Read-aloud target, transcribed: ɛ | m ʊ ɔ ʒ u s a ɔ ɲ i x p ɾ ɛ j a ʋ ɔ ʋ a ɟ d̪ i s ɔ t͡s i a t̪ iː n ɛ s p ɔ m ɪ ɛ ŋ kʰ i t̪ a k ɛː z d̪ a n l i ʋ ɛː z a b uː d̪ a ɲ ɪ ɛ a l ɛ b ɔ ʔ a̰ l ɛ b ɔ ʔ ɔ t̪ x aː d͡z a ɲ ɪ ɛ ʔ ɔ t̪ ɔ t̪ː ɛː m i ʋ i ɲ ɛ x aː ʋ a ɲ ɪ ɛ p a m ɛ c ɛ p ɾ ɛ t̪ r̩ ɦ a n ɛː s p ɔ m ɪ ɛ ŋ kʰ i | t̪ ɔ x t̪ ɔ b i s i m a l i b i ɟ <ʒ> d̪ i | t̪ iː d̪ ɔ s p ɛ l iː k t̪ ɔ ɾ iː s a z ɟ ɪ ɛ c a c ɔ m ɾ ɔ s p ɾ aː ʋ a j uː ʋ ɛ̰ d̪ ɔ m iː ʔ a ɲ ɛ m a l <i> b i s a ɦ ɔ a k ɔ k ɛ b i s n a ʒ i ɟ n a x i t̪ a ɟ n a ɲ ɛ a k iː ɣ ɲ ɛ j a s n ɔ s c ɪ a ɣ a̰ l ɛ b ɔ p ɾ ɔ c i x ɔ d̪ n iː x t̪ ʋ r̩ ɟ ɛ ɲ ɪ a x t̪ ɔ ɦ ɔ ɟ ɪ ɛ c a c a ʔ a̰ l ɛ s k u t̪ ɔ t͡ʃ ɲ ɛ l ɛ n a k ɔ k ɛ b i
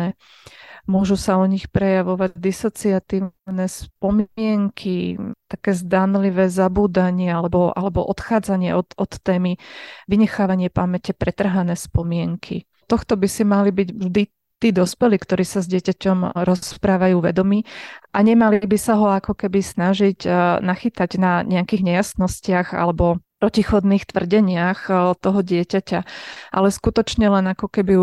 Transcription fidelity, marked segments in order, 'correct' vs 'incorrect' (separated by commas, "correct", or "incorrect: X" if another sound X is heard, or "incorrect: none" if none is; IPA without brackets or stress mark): correct, correct